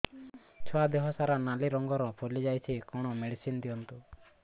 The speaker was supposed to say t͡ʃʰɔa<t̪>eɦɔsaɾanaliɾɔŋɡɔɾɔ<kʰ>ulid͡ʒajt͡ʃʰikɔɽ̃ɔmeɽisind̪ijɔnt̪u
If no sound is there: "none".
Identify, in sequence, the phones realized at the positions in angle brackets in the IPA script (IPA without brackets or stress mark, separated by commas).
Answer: d̪, pʰ